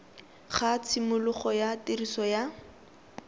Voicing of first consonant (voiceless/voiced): voiceless